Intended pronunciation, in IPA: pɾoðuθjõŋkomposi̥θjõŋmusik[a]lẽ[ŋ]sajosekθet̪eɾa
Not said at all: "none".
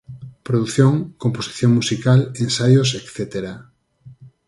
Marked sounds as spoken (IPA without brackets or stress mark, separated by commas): a, n